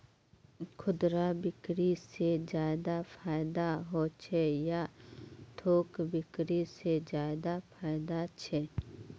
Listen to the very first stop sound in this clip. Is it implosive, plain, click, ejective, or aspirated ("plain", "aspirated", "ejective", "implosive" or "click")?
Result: aspirated